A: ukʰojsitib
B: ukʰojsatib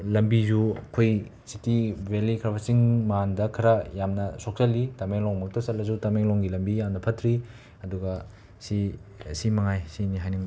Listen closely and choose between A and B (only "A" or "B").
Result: A